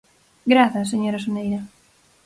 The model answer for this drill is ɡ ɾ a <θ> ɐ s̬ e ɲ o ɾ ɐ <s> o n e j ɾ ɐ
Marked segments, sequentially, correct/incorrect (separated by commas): correct, correct